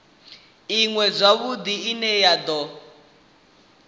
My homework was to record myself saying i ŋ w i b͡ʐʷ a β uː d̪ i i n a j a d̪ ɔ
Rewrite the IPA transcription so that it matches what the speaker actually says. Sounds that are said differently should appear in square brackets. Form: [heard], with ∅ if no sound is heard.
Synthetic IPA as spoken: i ŋ w [ɛ] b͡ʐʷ a β [u] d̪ i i n [ɛ] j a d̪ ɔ